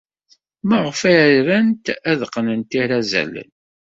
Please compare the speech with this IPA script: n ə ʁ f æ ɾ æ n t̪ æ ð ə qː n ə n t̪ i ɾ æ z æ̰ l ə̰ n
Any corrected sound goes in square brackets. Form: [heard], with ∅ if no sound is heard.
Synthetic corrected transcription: [m] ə ʁ f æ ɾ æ n t̪ æ ð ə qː n ə n t̪ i ɾ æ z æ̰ l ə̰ n